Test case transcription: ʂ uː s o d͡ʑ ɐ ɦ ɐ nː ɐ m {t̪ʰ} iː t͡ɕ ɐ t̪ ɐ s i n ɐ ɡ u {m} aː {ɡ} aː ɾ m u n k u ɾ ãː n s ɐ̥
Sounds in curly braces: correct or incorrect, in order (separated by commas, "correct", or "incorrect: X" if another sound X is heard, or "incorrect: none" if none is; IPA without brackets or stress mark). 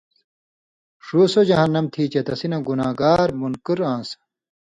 correct, incorrect: n, correct